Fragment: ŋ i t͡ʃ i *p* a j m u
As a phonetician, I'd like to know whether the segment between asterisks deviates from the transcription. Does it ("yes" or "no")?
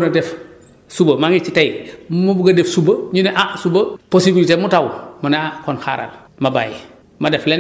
yes